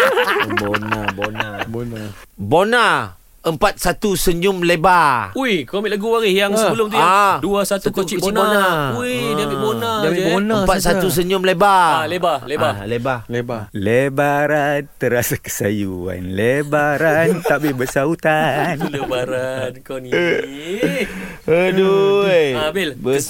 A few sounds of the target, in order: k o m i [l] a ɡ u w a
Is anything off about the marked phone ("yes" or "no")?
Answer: no